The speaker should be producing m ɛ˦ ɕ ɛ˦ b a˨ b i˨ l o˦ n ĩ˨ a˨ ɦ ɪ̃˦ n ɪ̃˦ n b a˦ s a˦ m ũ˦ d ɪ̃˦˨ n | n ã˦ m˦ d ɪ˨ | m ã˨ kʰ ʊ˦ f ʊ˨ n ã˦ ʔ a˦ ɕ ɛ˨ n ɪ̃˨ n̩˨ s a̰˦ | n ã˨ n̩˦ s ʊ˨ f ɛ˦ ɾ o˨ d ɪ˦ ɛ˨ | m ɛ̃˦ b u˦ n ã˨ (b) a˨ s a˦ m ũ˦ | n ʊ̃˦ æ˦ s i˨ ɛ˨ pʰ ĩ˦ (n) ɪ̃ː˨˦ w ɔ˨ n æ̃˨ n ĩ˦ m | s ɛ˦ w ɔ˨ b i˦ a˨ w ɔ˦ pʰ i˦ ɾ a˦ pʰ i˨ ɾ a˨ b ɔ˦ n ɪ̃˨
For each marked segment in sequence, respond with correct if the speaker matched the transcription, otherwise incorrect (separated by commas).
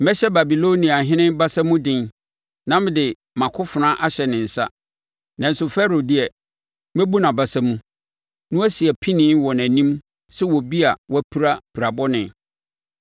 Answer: correct, correct